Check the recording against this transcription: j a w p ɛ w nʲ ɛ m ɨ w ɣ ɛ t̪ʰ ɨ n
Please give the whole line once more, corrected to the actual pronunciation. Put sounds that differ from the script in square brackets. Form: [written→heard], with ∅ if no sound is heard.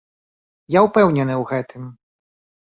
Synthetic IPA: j a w p ɛ w nʲ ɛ [m→n] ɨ w ɣ ɛ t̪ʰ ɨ [n→m]